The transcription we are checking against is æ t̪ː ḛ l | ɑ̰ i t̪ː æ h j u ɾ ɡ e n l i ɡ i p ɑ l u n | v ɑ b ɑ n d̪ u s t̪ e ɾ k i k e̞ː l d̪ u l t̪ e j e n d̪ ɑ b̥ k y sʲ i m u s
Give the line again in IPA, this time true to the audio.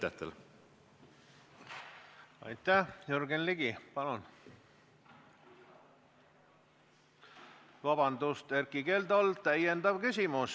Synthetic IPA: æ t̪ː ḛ l | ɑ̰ j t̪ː æ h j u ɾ ɡ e n l i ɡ i p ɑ l u n | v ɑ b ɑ n d̪ u s t̪ e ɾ k i k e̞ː l d̪ o l t̪ æ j e n d̪ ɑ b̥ k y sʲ i m u s